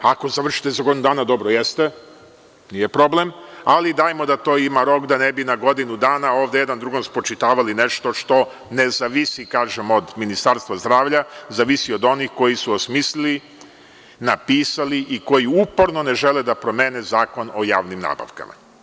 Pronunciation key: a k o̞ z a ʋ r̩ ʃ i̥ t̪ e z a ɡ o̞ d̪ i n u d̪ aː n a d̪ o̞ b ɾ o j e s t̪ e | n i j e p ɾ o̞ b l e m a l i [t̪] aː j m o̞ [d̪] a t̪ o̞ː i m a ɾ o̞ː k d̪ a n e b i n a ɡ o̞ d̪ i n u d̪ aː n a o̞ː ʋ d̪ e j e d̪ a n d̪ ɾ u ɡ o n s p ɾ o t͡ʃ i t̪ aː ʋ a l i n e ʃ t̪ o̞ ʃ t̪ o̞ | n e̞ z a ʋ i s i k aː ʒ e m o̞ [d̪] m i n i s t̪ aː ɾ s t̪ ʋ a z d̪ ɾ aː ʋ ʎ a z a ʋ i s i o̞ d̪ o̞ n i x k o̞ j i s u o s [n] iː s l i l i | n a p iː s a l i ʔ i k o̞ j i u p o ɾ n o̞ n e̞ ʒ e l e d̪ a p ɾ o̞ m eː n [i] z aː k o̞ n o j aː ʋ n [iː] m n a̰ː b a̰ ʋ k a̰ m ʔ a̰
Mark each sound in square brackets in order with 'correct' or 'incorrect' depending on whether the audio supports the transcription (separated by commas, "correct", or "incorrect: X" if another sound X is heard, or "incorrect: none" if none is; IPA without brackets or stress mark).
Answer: incorrect: d̪, correct, correct, incorrect: m, incorrect: e, incorrect: i